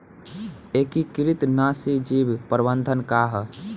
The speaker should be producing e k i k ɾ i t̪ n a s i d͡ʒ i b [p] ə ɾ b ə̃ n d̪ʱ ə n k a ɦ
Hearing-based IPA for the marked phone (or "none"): p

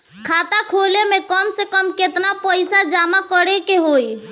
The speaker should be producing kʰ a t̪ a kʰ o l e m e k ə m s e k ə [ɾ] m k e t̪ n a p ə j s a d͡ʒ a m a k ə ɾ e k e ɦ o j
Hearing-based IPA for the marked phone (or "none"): none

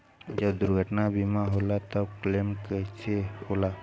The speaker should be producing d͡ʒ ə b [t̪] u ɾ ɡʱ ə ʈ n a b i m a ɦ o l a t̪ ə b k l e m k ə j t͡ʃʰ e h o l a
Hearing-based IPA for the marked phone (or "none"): d̪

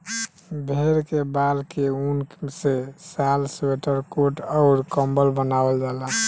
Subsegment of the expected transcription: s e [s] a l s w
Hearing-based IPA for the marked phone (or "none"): s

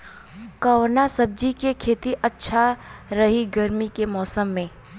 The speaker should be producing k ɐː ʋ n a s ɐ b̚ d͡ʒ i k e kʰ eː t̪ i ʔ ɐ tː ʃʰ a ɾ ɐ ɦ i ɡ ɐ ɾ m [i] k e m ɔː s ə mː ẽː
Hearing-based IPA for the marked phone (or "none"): i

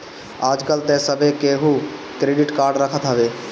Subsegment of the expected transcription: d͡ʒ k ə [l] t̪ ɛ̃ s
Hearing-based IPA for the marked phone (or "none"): l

